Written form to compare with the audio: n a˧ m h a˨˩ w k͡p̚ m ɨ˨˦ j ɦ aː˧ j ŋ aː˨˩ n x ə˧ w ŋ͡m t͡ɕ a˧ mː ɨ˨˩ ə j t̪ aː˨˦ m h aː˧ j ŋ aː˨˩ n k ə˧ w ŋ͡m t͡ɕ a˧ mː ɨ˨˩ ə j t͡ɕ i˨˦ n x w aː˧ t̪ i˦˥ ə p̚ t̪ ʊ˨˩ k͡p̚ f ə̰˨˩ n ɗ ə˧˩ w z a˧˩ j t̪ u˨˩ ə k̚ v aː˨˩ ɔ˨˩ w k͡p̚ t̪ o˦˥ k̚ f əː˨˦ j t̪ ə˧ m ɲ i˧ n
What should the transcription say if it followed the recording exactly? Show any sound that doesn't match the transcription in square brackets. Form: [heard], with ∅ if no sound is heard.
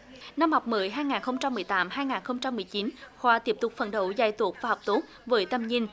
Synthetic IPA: n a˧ m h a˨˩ w k͡p̚ m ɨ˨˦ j ɦ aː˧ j ŋ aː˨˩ n x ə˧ w ŋ͡m t͡ɕ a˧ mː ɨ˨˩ ə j t̪ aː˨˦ m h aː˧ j ŋ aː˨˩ n [x] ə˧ w ŋ͡m t͡ɕ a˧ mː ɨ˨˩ ə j t͡ɕ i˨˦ n x w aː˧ t̪ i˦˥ ə p̚ t̪ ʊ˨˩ k͡p̚ f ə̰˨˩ n ɗ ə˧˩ w z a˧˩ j t̪ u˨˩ ə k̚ v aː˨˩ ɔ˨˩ w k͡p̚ t̪ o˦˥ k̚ [v] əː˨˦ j t̪ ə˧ m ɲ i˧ n